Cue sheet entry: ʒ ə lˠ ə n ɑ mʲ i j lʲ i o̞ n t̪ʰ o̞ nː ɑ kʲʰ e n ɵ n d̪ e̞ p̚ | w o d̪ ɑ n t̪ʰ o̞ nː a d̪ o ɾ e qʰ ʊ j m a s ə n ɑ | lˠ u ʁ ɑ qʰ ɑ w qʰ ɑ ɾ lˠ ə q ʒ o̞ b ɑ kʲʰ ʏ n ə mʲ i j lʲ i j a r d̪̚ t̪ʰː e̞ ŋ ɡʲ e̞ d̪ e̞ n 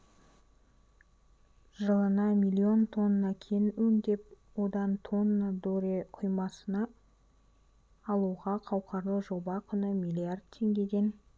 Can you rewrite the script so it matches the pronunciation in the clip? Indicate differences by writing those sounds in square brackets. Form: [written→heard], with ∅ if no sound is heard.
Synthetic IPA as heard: ʒ ə lˠ ə n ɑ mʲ i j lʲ i o̞ n t̪ʰ o̞ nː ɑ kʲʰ e n ɵ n d̪ e̞ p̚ | w o d̪ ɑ n t̪ʰ o̞ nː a d̪ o ɾ e qʰ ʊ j m [a→ɑ] s ə n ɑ | lˠ u ʁ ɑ qʰ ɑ w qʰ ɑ ɾ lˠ ə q ʒ o̞ b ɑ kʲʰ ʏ n ə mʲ i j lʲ i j a r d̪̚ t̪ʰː e̞ ŋ ɡʲ e̞ d̪ e̞ n